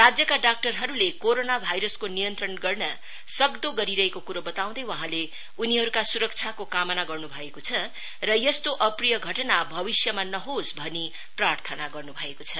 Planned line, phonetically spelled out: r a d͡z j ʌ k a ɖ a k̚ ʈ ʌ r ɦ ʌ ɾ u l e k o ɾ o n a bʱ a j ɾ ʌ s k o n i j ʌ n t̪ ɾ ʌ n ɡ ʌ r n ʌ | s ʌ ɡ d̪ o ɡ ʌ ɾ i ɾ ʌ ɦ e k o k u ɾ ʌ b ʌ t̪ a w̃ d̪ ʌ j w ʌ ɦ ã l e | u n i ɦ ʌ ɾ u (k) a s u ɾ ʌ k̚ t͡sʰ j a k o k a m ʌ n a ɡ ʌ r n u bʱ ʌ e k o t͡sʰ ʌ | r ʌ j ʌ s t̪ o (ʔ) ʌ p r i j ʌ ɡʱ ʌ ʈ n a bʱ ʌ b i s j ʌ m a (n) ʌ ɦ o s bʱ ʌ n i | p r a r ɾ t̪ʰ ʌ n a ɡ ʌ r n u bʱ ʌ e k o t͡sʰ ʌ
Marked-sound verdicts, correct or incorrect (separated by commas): correct, correct, correct